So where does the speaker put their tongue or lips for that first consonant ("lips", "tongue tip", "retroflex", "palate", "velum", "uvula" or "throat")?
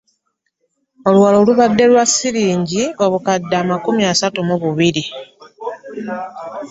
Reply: tongue tip